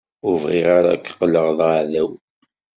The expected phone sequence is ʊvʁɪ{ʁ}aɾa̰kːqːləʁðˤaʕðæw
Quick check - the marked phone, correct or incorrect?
correct